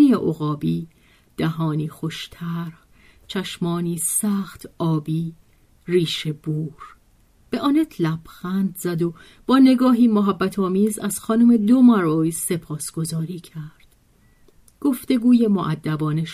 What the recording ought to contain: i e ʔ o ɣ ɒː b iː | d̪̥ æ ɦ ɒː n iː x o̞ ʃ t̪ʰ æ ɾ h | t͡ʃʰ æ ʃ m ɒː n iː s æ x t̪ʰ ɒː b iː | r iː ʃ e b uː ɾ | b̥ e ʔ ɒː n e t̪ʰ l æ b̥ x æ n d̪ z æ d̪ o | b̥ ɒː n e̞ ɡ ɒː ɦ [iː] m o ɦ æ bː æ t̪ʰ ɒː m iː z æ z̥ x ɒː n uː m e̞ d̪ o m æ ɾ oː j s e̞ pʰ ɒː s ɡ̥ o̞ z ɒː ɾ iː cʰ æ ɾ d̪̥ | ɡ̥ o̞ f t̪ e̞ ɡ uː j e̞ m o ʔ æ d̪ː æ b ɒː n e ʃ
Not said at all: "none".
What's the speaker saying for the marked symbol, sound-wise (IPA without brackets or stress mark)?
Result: iː